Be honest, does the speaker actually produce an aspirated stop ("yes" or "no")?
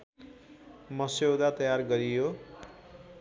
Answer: no